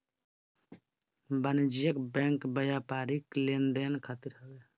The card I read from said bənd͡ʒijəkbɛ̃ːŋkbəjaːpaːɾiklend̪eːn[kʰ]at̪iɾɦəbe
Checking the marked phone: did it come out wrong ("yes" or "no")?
no